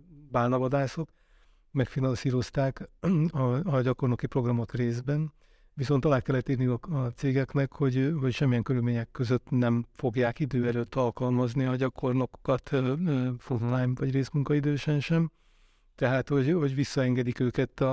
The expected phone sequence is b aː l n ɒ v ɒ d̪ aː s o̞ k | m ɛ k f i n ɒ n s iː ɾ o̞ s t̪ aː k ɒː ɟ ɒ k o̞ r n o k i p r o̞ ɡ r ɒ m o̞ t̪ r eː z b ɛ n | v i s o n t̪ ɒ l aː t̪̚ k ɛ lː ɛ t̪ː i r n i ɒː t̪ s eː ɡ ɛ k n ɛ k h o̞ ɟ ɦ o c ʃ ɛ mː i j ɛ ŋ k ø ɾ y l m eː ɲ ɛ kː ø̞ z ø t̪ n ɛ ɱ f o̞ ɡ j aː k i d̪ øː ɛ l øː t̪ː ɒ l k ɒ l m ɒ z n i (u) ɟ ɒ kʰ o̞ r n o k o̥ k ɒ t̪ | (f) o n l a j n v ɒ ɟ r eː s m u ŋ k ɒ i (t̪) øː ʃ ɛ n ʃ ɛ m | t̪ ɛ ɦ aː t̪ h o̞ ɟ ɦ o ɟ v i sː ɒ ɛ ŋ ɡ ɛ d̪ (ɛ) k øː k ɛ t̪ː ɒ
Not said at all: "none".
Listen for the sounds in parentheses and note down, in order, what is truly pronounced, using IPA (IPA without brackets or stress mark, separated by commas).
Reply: ɒ, f, d̪, i